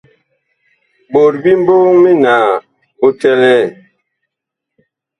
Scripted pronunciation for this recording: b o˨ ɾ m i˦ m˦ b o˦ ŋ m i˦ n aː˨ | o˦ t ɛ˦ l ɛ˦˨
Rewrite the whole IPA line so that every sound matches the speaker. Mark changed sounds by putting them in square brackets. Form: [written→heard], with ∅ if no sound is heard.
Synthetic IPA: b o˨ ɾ [m→b] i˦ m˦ b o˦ ŋ m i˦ n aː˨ | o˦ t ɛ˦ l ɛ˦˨

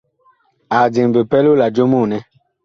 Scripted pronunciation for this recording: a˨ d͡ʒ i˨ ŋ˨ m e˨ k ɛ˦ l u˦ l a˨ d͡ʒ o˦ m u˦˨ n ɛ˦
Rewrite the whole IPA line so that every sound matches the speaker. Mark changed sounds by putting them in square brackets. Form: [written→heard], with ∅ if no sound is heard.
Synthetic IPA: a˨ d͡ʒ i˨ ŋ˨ [m→b] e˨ [k→p] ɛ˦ l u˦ l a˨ d͡ʒ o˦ m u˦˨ n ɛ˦

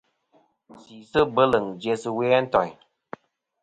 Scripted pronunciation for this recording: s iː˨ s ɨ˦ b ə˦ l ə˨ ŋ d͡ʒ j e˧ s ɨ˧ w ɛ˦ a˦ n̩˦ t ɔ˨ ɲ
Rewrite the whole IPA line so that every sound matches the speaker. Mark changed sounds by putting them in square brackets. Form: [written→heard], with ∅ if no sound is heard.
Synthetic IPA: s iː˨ s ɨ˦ b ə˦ l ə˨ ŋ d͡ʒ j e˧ s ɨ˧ w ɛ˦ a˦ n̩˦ t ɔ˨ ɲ

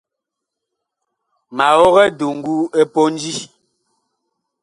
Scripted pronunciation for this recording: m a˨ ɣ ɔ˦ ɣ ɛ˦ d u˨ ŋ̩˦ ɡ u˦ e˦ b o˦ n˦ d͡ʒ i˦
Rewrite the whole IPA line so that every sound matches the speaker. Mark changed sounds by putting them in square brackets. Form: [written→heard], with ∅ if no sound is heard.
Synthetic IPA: m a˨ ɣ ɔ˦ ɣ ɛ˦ d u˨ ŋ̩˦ ɡ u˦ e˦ [b→p] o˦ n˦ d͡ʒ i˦

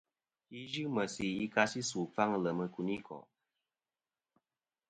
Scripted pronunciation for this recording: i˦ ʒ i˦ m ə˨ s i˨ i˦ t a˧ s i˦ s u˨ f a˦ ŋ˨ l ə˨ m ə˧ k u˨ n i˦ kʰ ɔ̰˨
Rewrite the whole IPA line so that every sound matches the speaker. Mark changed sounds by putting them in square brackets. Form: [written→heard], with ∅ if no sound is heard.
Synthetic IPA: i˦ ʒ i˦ m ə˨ s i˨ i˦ [t→k] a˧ s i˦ s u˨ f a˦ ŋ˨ l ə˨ m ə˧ k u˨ n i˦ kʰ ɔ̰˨

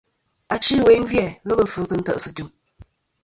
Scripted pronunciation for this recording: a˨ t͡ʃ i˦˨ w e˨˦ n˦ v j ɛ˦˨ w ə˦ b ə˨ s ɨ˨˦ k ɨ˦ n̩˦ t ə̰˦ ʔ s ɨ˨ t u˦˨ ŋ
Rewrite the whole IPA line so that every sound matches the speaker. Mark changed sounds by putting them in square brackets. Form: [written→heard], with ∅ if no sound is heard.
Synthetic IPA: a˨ t͡ʃ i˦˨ w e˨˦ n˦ v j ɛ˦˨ [w→ɣ] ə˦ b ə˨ [s→f] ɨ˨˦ k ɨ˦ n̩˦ t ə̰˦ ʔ s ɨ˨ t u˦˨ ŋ

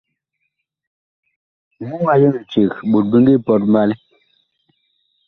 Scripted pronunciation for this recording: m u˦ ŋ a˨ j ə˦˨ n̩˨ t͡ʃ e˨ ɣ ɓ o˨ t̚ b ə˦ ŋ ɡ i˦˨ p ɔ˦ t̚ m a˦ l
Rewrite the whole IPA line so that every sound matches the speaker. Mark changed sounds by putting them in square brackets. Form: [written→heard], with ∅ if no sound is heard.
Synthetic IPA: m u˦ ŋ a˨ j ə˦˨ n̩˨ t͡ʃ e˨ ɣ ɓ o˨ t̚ b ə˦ ŋ ɡ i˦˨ p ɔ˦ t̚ m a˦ l

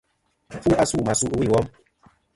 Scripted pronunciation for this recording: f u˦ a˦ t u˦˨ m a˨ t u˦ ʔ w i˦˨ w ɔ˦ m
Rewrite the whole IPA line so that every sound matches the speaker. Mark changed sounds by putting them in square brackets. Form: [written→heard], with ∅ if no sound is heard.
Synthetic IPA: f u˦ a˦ [t→s] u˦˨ m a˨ [t→s] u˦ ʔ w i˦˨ w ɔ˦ m

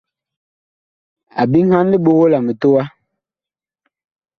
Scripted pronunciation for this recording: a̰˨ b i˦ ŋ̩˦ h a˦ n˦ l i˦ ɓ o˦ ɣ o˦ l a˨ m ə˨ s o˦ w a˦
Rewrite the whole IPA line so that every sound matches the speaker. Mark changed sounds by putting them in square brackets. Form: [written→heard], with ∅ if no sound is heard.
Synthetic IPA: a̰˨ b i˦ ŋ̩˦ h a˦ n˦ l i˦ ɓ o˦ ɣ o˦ l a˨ m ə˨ [s→t] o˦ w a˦

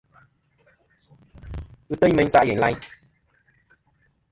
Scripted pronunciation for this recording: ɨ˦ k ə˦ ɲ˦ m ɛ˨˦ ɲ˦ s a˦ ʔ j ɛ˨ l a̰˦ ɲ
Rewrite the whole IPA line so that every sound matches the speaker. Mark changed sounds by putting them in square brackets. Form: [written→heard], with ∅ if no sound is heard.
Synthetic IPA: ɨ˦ [k→t] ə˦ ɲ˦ m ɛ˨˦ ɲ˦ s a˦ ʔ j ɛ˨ l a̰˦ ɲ

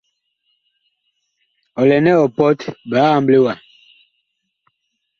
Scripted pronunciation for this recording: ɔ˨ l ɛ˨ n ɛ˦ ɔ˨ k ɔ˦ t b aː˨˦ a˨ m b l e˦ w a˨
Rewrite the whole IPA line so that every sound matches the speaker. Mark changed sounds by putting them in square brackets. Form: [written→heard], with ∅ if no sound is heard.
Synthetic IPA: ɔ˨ l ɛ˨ n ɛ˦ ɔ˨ [k→p] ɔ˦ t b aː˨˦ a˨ m b l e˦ w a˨

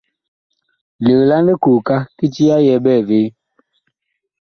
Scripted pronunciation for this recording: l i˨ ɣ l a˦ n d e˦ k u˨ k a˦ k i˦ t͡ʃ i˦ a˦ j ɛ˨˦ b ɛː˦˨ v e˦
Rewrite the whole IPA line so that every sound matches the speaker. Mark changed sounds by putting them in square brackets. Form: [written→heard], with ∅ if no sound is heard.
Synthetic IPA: l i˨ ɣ l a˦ n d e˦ k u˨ k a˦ k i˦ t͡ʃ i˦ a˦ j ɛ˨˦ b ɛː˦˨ v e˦

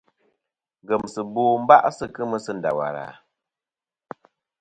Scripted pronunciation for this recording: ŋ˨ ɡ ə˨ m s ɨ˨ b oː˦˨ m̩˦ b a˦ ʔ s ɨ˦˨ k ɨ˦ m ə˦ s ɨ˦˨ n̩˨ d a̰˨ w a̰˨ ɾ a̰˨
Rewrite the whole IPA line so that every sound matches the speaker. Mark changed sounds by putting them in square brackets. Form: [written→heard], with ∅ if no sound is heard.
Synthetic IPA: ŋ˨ ɡ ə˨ m s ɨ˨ b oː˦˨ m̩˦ b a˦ ʔ s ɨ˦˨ k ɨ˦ m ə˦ s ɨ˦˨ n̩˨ d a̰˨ w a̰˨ ɾ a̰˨

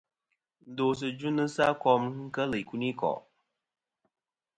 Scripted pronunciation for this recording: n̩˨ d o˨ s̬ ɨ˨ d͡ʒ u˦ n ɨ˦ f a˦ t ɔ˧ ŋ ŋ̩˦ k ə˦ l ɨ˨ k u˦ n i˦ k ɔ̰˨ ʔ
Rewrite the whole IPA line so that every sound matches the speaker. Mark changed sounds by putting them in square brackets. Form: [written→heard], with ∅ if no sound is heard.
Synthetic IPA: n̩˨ d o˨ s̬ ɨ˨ d͡ʒ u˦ n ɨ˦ [f→s] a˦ [t→k] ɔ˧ [ŋ→m] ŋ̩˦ k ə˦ l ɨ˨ k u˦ n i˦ k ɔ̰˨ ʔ

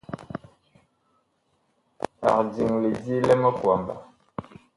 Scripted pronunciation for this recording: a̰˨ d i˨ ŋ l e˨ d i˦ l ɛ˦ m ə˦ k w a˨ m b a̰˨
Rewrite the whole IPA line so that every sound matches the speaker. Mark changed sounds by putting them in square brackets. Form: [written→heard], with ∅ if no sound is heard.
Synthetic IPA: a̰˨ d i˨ ŋ l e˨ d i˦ l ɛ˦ m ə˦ k w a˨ m b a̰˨

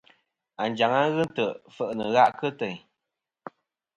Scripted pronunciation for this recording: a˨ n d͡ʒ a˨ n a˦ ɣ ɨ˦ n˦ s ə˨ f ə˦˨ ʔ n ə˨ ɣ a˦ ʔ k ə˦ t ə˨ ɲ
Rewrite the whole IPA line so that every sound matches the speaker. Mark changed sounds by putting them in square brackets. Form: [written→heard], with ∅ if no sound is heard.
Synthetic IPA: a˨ n d͡ʒ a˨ [n→ŋ] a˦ ɣ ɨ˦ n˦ [s→t] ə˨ f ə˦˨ ʔ n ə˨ ɣ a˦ ʔ k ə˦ t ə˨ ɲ

